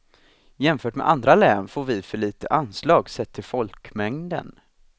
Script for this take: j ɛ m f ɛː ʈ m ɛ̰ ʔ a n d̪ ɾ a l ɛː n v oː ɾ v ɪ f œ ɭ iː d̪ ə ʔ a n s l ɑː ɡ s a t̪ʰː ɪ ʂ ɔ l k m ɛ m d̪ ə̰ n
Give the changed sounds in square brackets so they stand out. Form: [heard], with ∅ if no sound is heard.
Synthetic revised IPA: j ɛ m f [œː] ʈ m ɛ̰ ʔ a n d̪ ɾ a l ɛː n [f] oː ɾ v ɪ f œ ɭ iː [t̪] ə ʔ a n s l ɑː ɡ s [ɛ] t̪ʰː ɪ [f] ɔ l k m ɛ [ŋ] d̪ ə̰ n